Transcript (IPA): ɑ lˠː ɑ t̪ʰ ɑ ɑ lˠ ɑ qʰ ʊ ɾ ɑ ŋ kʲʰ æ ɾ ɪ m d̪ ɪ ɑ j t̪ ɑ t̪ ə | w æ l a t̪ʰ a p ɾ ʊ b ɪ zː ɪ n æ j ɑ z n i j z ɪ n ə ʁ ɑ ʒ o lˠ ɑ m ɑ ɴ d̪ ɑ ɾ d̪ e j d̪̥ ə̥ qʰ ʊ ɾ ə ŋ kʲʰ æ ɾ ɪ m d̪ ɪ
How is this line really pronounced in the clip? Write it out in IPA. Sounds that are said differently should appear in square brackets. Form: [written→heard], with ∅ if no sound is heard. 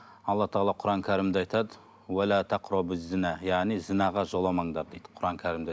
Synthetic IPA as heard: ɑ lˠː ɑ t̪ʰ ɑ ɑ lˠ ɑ qʰ ʊ ɾ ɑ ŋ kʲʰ æ ɾ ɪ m d̪ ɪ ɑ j t̪ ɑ [t̪→d̪] ə | w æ l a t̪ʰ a [p→q] ɾ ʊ b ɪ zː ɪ n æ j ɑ [z→ʁ] n i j z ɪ n [ə→ɑ] ʁ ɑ ʒ o lˠ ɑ m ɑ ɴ d̪ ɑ ɾ d̪ e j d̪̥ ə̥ qʰ ʊ ɾ [ə→ɑ] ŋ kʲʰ æ ɾ ɪ m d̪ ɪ